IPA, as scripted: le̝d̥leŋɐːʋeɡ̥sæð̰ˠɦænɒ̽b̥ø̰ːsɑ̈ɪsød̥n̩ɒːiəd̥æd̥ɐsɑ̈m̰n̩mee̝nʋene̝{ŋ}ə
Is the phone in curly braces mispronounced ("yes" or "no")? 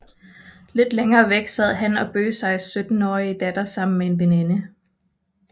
yes